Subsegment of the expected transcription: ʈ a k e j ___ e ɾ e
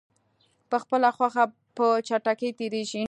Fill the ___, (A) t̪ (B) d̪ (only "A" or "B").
A